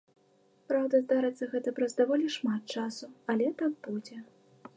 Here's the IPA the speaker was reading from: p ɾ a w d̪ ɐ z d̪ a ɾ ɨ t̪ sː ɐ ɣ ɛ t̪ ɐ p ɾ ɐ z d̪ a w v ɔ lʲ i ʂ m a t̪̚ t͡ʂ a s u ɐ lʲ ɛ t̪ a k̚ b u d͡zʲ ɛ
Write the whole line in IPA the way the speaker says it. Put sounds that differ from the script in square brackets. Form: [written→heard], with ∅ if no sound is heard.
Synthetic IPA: p ɾ a w d̪ ɐ z d̪ a ɾ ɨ t̪ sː ɐ ɣ ɛ t̪ ɐ p ɾ ɐ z d̪ a [w→∅] v ɔ lʲ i ʂ m a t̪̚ t͡ʂ a s u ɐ lʲ ɛ t̪ a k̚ b u d͡zʲ ɛ

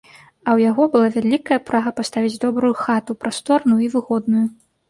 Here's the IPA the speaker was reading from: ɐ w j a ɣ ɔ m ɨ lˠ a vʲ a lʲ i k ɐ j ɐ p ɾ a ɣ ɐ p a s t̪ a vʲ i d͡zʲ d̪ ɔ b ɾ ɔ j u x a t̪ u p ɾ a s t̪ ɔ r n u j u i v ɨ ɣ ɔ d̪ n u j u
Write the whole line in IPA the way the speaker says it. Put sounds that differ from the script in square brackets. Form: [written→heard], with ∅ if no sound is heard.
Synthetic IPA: ɐ w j a ɣ ɔ [m→b] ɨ lˠ a vʲ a lʲ i k ɐ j ɐ p ɾ a ɣ ɐ p a s t̪ a vʲ i d͡zʲ d̪ ɔ b ɾ [ɔ→u] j u x a t̪ u p ɾ a s t̪ ɔ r n u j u i v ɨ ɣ ɔ d̪ n u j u

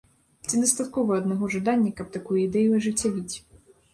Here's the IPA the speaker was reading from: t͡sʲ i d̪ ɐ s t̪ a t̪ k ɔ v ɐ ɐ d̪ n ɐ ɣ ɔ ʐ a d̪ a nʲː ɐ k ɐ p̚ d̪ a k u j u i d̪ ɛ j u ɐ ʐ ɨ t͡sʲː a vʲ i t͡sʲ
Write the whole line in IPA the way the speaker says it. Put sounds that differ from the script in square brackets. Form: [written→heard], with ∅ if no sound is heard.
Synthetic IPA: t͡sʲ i d̪ ɐ s t̪ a t̪ k ɔ v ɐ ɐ d̪ n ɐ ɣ ɔ ʐ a d̪ a nʲː ɐ k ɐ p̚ [d̪→t̪] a k u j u i d̪ ɛ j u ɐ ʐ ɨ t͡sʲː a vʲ i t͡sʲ

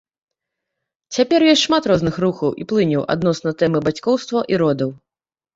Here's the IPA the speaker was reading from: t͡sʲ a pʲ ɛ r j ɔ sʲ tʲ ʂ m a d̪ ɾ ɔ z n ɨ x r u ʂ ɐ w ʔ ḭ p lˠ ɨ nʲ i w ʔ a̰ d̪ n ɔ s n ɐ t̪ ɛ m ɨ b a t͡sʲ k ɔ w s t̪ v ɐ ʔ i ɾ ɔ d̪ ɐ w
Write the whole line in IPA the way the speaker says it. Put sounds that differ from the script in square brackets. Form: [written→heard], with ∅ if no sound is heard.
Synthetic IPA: t͡sʲ a pʲ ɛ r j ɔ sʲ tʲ ʂ m a [d̪→t̪] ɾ ɔ z n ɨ x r u [ʂ→x] ɐ w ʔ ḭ p lˠ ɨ nʲ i w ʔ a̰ d̪ n ɔ s n ɐ t̪ ɛ m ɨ b a t͡sʲ k ɔ w s t̪ v ɐ ʔ i ɾ ɔ d̪ ɐ w

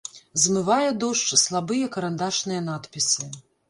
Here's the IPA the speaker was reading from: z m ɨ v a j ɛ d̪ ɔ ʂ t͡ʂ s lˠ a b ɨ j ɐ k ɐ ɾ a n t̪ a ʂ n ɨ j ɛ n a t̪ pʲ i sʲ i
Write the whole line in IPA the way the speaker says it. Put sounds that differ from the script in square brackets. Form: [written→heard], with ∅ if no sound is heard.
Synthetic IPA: z m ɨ v a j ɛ d̪ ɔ ʂ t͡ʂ s lˠ a b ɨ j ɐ k ɐ ɾ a n [t̪→d̪] a ʂ n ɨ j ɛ n a t̪ pʲ i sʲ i

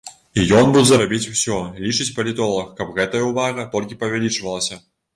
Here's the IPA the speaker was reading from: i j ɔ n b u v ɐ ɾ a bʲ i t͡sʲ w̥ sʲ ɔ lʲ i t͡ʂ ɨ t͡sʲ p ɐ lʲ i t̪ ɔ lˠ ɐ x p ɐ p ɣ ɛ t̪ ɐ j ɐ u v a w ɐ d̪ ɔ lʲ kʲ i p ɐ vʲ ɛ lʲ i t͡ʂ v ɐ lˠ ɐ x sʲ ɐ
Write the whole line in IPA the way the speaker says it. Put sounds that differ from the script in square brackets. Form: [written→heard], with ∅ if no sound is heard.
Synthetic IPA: i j ɔ n b u [v→z] ɐ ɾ a bʲ i t͡sʲ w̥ sʲ ɔ lʲ i t͡ʂ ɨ t͡sʲ p ɐ lʲ i t̪ ɔ lˠ ɐ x [p→k] ɐ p ɣ ɛ t̪ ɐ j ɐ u v a [w→ɣ] ɐ [d̪→t̪] ɔ lʲ kʲ i p ɐ vʲ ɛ lʲ i t͡ʂ v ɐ lˠ ɐ [x→∅] sʲ ɐ

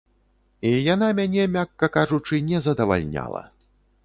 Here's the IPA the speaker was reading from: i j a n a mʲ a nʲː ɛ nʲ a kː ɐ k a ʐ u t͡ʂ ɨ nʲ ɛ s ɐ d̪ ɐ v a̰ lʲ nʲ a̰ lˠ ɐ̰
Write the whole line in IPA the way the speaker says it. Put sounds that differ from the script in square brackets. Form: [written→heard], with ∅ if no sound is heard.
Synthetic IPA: i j a n a mʲ a [nʲː→nʲ] ɛ [nʲ→mʲ] a kː ɐ k a ʐ u t͡ʂ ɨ nʲ ɛ [s→z] ɐ d̪ ɐ v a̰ lʲ nʲ a̰ lˠ ɐ̰

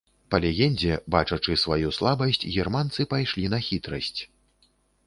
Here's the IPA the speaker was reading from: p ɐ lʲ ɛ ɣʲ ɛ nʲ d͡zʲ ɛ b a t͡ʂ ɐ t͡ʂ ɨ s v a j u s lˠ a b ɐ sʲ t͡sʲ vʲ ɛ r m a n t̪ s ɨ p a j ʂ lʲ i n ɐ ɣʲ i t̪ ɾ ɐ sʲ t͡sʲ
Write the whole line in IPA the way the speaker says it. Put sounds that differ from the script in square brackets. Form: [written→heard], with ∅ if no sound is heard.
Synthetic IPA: p ɐ lʲ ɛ ɣʲ ɛ nʲ d͡zʲ ɛ b a t͡ʂ ɐ t͡ʂ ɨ s v a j u s lˠ a b ɐ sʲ t͡sʲ [vʲ→ɣʲ] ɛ r m a n t̪ s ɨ p a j ʂ lʲ i n ɐ [ɣʲ→xʲ] i t̪ ɾ ɐ sʲ t͡sʲ

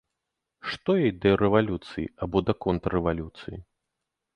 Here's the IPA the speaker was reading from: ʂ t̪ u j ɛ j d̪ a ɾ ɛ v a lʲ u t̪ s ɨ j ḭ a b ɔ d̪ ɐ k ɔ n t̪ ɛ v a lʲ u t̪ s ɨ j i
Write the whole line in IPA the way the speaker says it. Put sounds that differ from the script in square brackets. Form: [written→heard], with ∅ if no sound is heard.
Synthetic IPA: ʂ t̪ [u→ɔ] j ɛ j d̪ [a→ɐ] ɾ ɛ v a lʲ u t̪ s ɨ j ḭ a b ɔ d̪ ɐ k ɔ n t̪ ɛ v a lʲ u t̪ s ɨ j i

